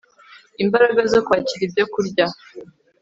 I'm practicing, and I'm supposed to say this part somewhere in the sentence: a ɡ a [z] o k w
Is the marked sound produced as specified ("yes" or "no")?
yes